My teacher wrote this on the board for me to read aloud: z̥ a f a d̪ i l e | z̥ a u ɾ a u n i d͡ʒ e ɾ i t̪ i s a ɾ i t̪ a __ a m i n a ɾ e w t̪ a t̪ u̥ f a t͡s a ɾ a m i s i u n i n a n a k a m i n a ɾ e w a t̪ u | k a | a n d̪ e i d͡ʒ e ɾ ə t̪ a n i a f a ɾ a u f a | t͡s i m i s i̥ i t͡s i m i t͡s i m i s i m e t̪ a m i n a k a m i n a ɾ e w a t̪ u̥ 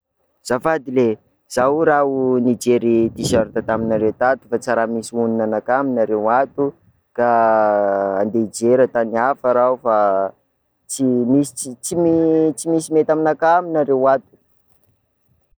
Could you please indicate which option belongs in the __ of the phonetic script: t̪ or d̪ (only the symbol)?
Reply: t̪